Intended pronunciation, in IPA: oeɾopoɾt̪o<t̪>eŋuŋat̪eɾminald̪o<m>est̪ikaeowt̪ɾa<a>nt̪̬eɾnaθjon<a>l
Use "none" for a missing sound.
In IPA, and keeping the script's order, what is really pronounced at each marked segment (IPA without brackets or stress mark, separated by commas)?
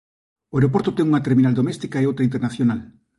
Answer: t̪, m, i, a